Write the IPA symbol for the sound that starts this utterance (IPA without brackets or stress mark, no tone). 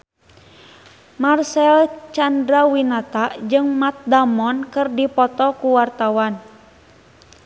m